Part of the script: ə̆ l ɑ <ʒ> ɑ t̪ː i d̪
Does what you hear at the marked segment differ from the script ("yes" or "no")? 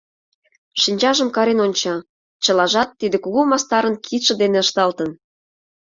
no